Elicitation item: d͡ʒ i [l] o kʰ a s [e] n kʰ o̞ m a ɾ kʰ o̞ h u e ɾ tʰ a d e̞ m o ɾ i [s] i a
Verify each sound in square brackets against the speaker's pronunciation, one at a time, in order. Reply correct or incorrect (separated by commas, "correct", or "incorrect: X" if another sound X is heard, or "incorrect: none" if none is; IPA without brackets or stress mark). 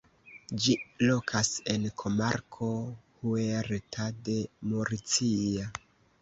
correct, correct, incorrect: t͡s